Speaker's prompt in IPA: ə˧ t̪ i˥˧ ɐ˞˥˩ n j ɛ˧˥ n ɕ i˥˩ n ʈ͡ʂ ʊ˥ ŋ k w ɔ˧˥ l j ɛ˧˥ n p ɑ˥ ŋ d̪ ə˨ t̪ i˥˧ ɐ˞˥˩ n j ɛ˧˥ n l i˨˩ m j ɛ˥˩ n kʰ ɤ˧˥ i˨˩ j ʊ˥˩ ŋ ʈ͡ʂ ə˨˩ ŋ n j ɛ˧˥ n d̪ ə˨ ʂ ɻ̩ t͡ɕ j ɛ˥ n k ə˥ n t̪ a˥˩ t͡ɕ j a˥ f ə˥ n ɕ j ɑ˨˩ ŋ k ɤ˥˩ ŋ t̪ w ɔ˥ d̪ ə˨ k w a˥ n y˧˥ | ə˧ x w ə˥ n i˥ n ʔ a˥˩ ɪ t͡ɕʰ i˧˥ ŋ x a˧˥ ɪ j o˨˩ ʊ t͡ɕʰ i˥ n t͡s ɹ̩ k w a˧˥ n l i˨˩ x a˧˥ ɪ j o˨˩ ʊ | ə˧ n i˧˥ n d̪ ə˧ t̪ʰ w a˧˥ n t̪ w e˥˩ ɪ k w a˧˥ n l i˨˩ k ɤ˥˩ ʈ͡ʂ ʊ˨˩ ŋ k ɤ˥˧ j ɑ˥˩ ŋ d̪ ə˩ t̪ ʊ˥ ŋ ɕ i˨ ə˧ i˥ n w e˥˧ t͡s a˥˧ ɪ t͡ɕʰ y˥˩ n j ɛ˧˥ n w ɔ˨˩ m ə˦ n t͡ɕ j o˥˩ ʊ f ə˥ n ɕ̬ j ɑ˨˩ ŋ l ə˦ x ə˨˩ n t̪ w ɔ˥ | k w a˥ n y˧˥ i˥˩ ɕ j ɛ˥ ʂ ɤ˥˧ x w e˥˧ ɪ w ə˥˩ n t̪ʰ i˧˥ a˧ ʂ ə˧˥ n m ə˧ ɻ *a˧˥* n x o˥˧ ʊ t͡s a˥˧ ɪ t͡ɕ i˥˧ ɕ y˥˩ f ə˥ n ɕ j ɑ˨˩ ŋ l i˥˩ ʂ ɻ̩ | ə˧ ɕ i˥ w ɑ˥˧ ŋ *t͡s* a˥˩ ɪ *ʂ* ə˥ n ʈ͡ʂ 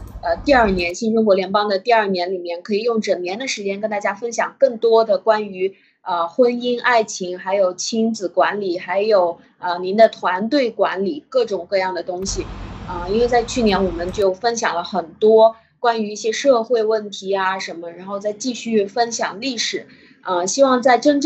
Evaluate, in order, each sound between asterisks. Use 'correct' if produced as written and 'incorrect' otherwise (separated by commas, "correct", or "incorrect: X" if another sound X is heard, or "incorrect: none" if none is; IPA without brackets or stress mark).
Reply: correct, correct, incorrect: ʈ͡ʂ